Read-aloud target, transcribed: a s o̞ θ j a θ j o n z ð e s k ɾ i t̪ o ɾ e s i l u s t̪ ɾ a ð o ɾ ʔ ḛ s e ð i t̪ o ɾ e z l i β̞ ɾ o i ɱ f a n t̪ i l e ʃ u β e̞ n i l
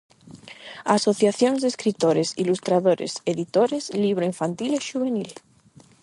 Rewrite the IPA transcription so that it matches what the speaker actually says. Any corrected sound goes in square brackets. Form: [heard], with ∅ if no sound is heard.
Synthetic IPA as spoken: a s o̞ θ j a θ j o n z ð e s k ɾ i t̪ o ɾ e s i l u s t̪ ɾ a ð o ɾ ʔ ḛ s e ð i t̪ o ɾ e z l i β̞ ɾ o i ɱ f a n t̪ i l e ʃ u β e̞ n i l